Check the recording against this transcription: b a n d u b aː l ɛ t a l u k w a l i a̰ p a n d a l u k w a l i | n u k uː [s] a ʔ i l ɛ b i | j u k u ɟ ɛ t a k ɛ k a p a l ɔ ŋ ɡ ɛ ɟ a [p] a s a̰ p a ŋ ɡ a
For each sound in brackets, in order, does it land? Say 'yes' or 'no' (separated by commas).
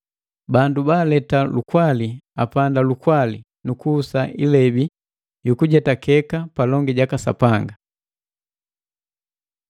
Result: yes, no